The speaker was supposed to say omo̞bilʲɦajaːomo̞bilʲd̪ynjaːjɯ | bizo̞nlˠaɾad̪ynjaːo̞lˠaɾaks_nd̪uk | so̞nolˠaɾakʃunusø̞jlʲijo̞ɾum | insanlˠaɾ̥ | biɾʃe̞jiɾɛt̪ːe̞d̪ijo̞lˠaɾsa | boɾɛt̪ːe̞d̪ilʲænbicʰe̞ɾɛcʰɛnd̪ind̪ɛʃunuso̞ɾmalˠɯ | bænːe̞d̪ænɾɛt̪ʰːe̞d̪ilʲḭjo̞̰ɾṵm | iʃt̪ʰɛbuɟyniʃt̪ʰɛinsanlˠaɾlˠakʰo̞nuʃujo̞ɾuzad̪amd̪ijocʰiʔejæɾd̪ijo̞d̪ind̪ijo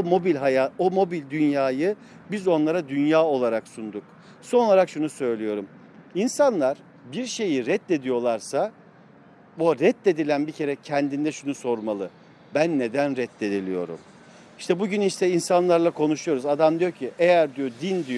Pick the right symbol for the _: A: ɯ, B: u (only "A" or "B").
B